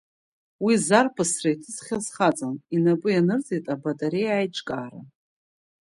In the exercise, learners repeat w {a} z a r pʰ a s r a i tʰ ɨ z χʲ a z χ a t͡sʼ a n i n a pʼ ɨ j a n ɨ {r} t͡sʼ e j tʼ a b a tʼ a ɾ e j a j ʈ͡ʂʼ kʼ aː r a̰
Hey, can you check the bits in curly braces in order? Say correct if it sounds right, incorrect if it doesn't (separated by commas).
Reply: incorrect, correct